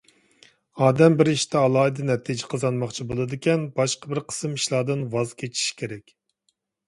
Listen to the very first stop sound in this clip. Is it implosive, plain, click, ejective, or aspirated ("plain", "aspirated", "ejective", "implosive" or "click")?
plain